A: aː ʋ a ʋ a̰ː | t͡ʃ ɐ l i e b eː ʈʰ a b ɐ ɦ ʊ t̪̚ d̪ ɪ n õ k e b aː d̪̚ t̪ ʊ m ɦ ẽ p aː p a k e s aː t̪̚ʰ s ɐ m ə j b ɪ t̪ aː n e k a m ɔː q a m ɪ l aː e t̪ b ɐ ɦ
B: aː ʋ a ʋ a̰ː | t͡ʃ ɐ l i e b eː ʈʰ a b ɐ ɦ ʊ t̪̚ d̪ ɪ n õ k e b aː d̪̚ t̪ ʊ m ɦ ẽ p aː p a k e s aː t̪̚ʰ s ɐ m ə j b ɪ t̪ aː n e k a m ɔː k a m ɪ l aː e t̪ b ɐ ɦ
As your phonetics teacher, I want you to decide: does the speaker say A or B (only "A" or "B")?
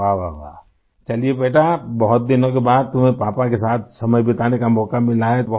B